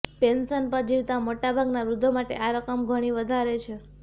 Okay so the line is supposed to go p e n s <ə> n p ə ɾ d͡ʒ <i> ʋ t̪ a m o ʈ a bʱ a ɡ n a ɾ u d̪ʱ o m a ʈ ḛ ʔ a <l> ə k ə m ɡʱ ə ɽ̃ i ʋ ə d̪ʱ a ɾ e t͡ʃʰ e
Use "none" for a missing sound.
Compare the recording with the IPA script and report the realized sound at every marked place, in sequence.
ə, i, ɾ

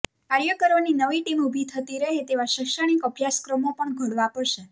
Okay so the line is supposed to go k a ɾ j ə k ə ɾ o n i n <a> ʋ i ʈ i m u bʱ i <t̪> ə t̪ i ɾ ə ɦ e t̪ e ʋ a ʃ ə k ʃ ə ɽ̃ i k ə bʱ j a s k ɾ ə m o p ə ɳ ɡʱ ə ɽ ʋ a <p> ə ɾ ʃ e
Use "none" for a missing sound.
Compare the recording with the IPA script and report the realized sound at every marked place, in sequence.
ə, t̪ʰ, p

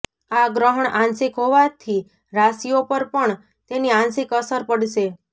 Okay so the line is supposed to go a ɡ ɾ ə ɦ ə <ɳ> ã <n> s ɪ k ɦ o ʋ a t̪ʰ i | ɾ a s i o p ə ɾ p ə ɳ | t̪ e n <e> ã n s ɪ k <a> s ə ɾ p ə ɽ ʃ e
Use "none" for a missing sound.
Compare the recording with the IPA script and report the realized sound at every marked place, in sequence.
ɳ, n, i, ə

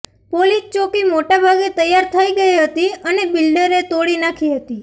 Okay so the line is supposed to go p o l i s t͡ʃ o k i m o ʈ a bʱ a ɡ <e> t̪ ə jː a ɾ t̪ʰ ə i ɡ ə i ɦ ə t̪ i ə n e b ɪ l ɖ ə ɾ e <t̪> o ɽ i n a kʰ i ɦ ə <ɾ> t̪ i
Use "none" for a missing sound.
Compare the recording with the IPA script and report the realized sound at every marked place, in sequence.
e, t̪, none

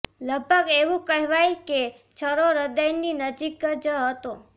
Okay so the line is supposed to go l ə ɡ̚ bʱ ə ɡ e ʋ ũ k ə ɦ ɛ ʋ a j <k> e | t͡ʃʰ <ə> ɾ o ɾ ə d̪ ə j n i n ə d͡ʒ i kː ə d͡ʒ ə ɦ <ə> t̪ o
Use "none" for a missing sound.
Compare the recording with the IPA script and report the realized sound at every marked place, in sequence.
k, ə, ə

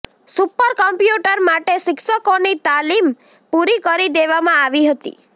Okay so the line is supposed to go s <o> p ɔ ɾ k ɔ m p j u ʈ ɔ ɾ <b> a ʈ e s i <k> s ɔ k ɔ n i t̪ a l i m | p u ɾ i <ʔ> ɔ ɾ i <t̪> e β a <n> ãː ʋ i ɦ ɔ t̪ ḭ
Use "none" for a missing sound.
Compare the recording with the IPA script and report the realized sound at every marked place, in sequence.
u, m, k, k, d̪, m

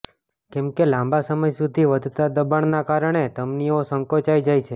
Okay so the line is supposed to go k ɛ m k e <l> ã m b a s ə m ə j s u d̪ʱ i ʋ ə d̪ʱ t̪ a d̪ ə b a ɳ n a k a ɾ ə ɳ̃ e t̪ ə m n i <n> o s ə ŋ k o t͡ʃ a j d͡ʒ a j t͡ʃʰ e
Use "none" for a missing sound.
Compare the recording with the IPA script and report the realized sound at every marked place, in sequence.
l, none

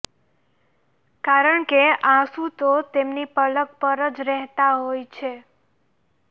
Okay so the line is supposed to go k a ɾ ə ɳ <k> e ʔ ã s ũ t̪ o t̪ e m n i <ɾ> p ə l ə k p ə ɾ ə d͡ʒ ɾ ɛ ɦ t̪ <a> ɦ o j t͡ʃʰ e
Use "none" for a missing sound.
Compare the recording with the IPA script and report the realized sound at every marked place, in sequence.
k, none, a

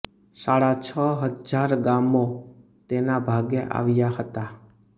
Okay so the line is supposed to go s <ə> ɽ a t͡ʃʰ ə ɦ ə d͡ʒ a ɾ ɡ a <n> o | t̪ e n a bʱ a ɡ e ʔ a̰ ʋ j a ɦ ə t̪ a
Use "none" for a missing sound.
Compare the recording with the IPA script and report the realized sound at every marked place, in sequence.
a, m

